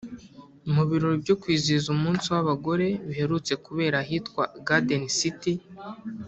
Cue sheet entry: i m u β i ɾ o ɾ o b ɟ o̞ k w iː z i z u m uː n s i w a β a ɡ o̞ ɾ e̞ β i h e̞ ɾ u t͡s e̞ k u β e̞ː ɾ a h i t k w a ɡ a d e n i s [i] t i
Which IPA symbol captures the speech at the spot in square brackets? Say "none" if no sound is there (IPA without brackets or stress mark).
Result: i